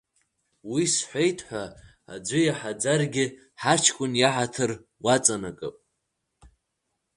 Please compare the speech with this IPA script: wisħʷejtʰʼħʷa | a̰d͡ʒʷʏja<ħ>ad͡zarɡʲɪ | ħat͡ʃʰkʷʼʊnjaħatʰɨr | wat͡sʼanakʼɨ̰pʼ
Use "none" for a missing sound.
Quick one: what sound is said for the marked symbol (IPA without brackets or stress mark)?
ħ